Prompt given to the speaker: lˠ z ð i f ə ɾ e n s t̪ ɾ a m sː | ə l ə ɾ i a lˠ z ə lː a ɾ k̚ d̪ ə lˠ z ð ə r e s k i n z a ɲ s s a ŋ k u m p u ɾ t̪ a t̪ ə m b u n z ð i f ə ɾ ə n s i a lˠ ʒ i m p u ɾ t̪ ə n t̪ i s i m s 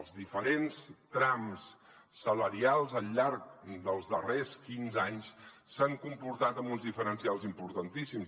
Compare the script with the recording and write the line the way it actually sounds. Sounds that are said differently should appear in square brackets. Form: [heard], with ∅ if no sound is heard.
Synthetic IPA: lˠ z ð i f ə ɾ e n s t̪ ɾ a m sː | ə l ə ɾ i a lˠ z ə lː a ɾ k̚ d̪ ə lˠ z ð ə r e s k i n z a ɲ s s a ŋ k u m p u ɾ t̪ a t̪ ə m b u n z ð i f ə ɾ ə n s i a lˠ [z] i m p u ɾ t̪ ə n t̪ i s i m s